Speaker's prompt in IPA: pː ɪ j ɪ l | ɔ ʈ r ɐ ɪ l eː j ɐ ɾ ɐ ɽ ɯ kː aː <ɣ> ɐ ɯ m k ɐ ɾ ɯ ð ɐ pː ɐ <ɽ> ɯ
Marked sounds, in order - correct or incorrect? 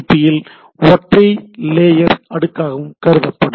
correct, correct

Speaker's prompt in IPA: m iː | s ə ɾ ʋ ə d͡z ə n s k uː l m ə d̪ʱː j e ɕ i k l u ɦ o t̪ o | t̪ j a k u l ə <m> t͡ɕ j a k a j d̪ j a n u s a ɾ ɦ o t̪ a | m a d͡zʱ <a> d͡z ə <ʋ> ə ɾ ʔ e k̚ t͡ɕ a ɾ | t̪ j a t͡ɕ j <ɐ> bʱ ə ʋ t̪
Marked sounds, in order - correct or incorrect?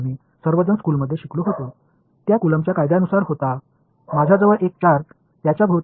correct, correct, correct, incorrect

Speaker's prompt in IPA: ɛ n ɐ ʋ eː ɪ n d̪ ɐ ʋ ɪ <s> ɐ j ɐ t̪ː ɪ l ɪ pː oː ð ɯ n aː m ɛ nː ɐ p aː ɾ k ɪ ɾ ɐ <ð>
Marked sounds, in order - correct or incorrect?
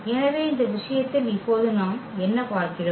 incorrect, incorrect

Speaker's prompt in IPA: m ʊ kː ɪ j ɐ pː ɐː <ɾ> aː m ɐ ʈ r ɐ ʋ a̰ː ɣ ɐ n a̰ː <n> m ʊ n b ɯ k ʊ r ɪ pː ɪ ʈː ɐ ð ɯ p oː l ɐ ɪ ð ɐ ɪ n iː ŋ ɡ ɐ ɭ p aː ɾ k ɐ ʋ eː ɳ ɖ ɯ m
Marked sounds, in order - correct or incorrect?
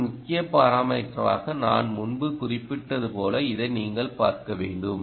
correct, correct

